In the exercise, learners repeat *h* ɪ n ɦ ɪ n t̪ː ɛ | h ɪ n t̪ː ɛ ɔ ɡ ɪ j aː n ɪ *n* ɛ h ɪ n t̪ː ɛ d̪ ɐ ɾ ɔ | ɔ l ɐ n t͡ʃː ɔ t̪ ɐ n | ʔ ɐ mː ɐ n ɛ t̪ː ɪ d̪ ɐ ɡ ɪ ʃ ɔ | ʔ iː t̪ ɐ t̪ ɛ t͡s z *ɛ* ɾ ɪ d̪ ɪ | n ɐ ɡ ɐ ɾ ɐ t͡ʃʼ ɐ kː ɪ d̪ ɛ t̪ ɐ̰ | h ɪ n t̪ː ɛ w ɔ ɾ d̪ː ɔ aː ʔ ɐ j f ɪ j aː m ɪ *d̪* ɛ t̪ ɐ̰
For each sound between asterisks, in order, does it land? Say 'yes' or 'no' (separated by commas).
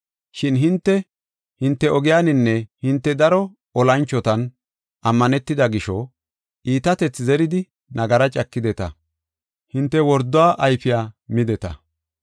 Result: no, no, yes, yes